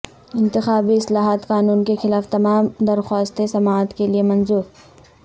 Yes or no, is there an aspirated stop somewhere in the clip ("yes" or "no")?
no